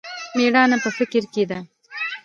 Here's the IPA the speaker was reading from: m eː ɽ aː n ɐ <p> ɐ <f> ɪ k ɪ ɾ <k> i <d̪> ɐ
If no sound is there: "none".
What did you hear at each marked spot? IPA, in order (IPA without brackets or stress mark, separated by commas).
p, f, k, d̪